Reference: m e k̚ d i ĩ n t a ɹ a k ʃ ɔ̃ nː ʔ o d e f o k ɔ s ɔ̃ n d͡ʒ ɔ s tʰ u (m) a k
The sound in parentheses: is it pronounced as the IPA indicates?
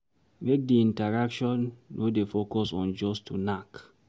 no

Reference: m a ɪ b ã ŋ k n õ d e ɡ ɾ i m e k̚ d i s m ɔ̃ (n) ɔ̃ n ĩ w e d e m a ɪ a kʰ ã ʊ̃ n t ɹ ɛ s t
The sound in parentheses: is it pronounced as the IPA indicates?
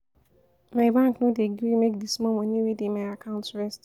no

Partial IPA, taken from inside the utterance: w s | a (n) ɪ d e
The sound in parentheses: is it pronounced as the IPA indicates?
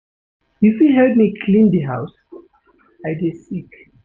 no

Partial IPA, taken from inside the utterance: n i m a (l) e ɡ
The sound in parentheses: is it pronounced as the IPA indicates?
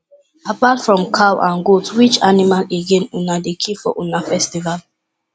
yes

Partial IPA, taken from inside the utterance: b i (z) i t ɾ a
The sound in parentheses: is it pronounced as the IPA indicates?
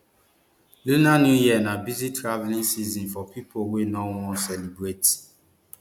yes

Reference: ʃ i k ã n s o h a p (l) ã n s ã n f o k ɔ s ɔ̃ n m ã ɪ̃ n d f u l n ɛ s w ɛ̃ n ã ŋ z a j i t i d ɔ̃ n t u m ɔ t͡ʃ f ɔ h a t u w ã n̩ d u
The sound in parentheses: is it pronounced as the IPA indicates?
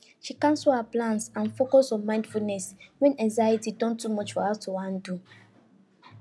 yes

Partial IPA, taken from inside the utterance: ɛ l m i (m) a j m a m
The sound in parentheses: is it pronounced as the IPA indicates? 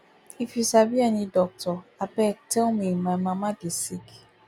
yes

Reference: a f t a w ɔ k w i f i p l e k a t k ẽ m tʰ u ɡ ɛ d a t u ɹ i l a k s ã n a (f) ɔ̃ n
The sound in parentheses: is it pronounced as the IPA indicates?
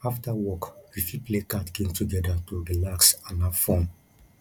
yes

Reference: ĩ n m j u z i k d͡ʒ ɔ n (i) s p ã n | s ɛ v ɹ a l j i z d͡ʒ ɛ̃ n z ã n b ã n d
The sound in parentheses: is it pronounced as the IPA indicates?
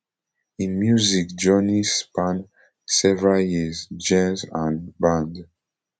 yes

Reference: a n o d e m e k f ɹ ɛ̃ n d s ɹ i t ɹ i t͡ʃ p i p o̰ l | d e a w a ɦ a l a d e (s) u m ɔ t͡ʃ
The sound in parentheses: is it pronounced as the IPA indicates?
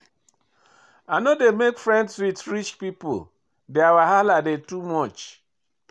no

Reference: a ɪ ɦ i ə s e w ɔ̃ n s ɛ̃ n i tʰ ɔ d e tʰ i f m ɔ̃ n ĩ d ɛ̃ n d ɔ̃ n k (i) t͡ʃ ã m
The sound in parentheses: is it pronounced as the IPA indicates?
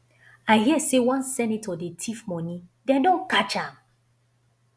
no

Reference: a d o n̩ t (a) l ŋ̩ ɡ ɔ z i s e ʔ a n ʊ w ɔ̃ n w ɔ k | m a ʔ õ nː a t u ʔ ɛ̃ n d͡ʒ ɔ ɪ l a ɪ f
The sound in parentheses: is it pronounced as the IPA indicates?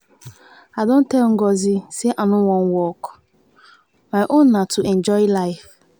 no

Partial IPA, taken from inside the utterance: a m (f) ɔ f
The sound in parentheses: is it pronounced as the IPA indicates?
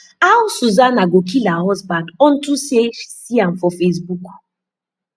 yes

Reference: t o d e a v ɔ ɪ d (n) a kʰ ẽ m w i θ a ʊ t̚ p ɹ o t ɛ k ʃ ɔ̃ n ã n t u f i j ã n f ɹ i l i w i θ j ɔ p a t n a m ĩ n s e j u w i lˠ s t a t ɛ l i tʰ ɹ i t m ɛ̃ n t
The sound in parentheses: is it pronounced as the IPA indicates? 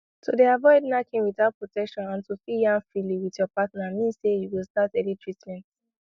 yes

